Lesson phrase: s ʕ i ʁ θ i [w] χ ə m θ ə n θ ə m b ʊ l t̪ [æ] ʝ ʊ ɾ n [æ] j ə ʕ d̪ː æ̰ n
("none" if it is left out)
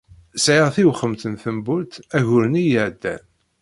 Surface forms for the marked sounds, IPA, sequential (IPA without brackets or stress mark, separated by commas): w, æ, i